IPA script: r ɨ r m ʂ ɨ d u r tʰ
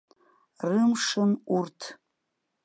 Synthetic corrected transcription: r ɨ m ʂ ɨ n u r tʰ

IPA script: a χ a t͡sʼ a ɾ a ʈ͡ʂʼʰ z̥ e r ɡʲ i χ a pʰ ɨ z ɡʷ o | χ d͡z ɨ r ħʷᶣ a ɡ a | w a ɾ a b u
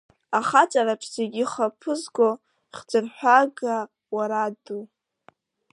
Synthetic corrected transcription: a χ a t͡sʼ a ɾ a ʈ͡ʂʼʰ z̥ e ɡʲ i χ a pʰ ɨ z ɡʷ o | χ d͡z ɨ r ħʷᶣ a ɡ a | w a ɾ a d u

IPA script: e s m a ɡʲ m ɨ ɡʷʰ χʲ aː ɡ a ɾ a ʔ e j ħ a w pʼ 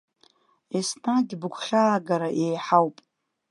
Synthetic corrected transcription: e s n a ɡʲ b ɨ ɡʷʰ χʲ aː ɡ a ɾ a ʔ e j ħ a w pʼ

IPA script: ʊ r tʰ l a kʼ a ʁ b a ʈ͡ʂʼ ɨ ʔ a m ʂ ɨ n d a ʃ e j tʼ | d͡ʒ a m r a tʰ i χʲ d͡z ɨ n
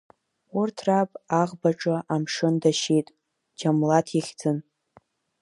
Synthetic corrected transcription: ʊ r tʰ r a pʼ a ʁ b a ʈ͡ʂʼ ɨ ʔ a m ʂ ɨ n d a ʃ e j tʼ | d͡ʒ a m l a tʰ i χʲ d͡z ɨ n

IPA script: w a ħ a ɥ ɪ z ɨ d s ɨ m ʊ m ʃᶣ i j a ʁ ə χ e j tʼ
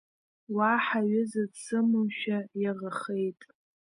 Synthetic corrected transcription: w a ħ a ɥ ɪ z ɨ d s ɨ m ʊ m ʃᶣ a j a ʁ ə χ e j tʼ

